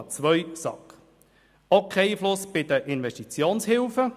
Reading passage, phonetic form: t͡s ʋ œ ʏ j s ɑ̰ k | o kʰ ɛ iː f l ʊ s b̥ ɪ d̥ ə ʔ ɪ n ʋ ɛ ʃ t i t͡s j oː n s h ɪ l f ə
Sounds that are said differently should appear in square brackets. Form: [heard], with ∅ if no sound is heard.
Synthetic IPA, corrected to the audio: t͡s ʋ œ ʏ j s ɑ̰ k | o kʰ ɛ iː f l ʊ s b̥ ɪ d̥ ə ʔ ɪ n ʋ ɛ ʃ t i t͡s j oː n s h ɪ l f ə